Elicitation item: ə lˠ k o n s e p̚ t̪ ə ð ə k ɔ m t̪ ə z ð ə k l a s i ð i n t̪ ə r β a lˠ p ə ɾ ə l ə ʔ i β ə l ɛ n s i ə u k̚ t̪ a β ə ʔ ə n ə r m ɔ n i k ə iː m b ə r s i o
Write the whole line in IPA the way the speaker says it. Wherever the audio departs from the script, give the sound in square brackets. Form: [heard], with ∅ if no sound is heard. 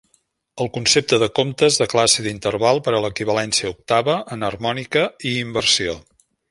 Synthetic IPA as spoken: ə lˠ k [u] n s e p̚ t̪ ə ð ə k [o] m t̪ ə z ð ə k l a s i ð i n t̪ ə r β a lˠ p ə ɾ ə l ə [k] i β ə l ɛ n s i ə u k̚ t̪ a β ə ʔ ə n ə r m ɔ n i k ə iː m b ə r s i o